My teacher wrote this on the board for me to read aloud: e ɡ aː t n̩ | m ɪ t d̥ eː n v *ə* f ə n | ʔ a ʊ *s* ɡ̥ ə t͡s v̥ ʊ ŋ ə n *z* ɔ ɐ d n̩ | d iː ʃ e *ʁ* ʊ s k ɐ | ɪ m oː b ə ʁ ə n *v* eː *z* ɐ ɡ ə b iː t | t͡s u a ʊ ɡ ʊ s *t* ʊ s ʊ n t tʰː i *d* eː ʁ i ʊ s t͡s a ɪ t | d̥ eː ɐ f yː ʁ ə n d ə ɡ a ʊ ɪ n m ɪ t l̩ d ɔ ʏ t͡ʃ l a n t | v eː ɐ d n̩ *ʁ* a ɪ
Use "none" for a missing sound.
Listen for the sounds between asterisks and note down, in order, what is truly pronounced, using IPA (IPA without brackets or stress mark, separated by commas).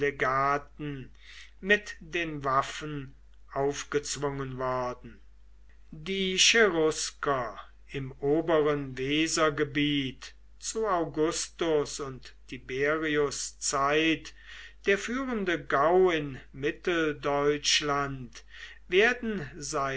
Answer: a, f, v, ʁ, v, z, t, b, z